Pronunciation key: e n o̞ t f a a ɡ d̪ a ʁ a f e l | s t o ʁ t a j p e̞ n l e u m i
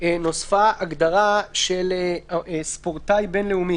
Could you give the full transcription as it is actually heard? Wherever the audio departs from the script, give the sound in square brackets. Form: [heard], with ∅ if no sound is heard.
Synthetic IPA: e n o̞ [s] f a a ɡ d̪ a ʁ a [ʃ] e l | s [p] o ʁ t a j [b] e̞ n l e u m i